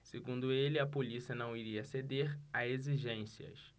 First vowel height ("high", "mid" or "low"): mid